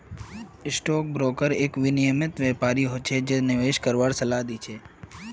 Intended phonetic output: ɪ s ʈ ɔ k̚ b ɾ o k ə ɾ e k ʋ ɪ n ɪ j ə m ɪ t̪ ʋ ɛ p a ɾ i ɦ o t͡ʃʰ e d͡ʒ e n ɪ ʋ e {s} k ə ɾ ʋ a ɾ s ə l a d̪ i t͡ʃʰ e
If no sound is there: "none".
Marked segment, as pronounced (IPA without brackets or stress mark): ʃ